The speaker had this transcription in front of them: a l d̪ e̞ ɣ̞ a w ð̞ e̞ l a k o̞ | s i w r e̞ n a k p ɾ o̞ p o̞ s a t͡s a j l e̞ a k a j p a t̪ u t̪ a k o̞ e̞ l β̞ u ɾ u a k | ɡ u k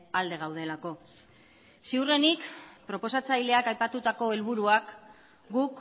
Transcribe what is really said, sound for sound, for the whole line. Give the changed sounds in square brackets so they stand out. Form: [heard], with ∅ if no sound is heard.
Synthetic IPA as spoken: a l d̪ e̞ ɣ̞ a w ð̞ e̞ l a k o̞ | s i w r e̞ n [i] k p ɾ o̞ p o̞ s a t͡s a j l e̞ a k a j p a t̪ u t̪ a k o̞ e̞ l β̞ u ɾ u a k | ɡ u k